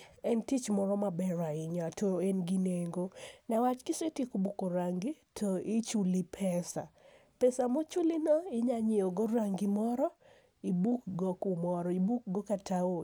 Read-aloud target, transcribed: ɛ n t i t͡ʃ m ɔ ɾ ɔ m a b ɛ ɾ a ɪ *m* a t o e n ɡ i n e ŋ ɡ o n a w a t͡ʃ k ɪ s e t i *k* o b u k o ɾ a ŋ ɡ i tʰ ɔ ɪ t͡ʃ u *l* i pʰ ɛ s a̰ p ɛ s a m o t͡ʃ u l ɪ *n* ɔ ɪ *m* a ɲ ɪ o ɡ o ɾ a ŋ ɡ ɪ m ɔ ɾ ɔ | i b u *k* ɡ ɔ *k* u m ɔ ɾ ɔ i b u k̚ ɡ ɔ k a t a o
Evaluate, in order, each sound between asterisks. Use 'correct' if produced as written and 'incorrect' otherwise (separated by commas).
incorrect, correct, correct, correct, incorrect, correct, correct